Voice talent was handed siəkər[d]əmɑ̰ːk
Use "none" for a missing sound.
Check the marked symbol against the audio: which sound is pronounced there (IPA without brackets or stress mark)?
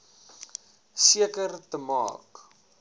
t